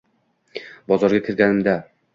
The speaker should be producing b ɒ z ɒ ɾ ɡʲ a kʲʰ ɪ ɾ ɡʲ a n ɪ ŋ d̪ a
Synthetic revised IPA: b ɒ z ɒ ɾ ɡʲ a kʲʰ ɪ ɾ ɡʲ a n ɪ m d̪ a